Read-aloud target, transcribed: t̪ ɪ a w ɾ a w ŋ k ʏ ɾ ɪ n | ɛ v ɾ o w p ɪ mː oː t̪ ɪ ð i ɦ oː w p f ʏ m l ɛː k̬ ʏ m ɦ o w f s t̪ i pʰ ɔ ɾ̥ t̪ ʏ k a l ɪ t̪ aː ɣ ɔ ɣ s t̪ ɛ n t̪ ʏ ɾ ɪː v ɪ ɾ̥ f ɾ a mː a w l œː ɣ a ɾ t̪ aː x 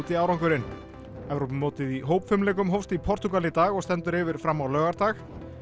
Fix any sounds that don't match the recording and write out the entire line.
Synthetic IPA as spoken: t̪ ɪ a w ɾ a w ŋ k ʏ ɾ ɪ n | ɛ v ɾ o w p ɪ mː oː t̪ ɪ ð i ɦ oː w p f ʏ m l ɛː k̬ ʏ m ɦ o w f s t̪ i pʰ ɔ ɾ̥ t̪ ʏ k a l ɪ t̪ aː ɣ ɔ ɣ s t̪ ɛ n t̪ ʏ ɾ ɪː v ɪ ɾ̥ f ɾ a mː a w l œː ɣ a ɾ t̪ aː x

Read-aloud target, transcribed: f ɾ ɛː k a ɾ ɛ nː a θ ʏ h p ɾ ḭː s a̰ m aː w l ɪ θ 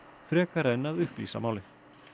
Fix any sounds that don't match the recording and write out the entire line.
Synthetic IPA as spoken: f ɾ ɛː k a ɾ ɛ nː a ð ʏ h p l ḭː s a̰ m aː w l ɪ θ

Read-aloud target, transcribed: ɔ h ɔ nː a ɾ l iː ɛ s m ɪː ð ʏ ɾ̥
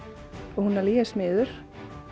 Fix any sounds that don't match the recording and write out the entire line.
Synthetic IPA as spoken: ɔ h u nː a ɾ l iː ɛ s m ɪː ð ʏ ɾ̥

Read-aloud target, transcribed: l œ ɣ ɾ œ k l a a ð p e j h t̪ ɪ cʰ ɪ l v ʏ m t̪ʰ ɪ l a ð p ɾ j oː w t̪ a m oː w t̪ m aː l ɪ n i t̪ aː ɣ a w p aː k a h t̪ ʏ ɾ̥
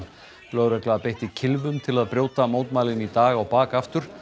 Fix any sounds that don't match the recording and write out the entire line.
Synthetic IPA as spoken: l œ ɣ ɾ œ k l a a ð p e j h t̪ ɪ cʰ ɪ l v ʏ m t̪ʰ ɪ l a ð p ɾ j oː w t̪ a m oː w t̪ m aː l ɪ n i t̪ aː ɣ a w p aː k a f t̪ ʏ ɾ̥

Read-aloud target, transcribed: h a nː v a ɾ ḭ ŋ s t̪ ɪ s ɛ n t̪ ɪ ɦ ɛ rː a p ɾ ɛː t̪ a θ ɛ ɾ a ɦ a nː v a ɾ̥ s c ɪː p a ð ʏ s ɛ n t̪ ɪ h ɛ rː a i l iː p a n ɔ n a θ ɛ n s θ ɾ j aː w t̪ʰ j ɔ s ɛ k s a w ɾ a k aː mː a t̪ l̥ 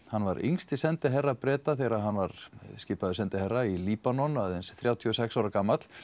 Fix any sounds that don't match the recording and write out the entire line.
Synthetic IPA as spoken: h a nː v a ɾ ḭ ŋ s t̪ ɪ s ɛ n t̪ ɪ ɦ ɛ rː a p ɾ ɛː t̪ a θ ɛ ɾ a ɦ a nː v a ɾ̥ s c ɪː p a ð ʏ s ɛ n t̪ ɪ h ɛ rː a i l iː p a n ɔ n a ð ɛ n s θ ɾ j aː w t̪ʰ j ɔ s ɛ k s a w ɾ a k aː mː a t̪ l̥

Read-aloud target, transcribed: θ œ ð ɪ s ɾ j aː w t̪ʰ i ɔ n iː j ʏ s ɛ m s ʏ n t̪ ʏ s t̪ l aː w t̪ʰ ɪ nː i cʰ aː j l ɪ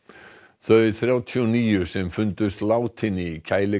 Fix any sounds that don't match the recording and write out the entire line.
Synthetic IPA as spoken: θ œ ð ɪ θ ɾ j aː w t̪ʰ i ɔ n iː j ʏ s ɛ m f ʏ n t̪ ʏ s t̪ l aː w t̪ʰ ɪ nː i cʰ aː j l ɪ

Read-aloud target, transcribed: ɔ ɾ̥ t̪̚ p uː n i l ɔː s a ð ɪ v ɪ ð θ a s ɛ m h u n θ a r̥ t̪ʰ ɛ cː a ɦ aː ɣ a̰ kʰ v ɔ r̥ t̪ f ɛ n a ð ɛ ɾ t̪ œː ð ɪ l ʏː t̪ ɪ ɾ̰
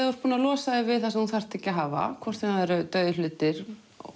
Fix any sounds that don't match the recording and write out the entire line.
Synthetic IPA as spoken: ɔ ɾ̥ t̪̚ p uː n a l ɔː s a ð ɪ v ɪ ð θ a s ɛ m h u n θ a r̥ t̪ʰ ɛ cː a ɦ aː v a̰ kʰ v ɔ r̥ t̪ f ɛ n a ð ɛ ɾ t̪ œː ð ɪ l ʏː t̪ ɪ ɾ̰

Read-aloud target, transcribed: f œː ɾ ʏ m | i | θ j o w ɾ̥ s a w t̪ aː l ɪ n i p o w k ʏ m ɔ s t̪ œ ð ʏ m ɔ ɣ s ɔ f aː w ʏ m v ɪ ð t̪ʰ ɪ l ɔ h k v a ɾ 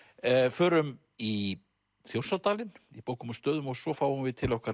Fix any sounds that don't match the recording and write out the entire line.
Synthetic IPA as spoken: f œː ɾ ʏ m | i | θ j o w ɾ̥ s a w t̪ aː l ɪ n i p o w k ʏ m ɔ s t̪ œː ð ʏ m ɔ ɣ s ɔ f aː w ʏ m v ɪ ð t̪ʰ ɪ l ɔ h k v a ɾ

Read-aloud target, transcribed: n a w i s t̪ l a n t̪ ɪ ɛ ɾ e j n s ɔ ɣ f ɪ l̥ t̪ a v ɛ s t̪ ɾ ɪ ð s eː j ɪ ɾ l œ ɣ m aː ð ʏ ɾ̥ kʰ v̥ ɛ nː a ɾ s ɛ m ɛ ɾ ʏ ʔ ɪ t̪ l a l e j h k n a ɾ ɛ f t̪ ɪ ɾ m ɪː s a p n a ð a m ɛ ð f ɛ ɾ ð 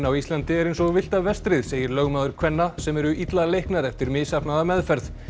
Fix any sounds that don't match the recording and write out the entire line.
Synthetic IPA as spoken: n a w i s t̪ l a n t̪ ɪ ɛ ɾ e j n s ɔ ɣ v ɪ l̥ t̪ a v ɛ s t̪ ɾ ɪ ð s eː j ɪ ɾ l œ ɣ m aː ð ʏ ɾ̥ kʰ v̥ ɛ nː a s ɛ m ɛ ɾ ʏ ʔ i t̪ l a l e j h k n a ɾ ɛ f t̪ ɪ ɾ m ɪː s a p n a ð a m ɛ ð f ɛ ɾ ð

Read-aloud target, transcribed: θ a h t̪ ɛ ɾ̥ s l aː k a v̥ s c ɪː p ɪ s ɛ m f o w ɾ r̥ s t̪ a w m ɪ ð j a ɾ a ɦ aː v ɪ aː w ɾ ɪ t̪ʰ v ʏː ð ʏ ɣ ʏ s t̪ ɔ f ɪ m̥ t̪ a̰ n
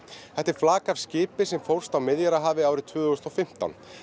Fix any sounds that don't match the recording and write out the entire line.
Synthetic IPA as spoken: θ ɛ h t̪ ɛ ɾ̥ f l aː k a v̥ s c ɪː p ɪ s ɛ m f o w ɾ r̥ s t̪ a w m ɪ ð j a ɾ a ɦ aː v ɪ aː w ɾ ɪ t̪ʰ v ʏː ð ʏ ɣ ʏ s t̪ ɔ f ɪ m̥ t̪ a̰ n

